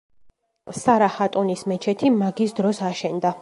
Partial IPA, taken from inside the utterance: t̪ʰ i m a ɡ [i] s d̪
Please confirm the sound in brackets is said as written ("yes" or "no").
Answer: yes